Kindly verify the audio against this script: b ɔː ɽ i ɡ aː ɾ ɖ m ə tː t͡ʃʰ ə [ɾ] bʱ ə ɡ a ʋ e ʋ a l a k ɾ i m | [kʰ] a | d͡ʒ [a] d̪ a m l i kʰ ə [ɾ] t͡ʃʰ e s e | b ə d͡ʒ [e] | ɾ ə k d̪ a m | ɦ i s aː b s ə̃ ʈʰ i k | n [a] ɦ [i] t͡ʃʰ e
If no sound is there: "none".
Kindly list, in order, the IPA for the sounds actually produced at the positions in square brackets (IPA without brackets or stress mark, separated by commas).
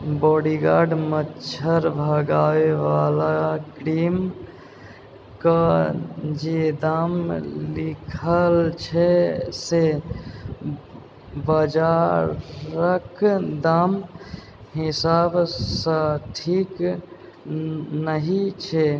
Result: ɾ, k, e, l, a, ə, i